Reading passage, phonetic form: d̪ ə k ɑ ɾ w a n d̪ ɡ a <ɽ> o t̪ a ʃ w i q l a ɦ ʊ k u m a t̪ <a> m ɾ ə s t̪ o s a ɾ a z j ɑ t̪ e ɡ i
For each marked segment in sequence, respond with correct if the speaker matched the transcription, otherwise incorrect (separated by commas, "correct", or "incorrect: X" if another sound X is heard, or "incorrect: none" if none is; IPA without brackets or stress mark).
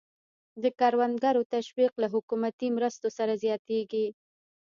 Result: incorrect: ɾ, incorrect: i